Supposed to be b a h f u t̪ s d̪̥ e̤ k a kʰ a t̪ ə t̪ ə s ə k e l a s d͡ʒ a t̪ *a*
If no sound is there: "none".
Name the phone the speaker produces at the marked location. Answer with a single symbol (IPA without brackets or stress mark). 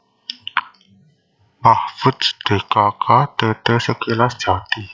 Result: i